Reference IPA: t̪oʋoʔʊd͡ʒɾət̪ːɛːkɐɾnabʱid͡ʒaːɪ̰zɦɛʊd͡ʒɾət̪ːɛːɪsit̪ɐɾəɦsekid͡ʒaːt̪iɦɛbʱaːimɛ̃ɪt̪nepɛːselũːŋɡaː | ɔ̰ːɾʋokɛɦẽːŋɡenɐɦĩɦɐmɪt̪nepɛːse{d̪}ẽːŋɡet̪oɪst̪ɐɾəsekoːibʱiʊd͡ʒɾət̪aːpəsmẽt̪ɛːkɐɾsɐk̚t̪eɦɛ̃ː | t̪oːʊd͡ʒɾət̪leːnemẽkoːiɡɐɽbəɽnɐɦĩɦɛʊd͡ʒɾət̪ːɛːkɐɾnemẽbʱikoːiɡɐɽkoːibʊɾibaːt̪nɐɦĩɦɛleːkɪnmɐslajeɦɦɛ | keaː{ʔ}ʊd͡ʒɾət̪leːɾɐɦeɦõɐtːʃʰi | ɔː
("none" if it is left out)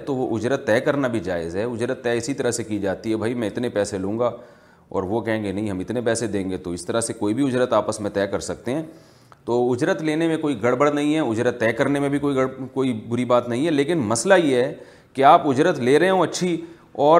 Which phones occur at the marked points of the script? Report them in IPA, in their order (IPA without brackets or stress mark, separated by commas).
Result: d̪, p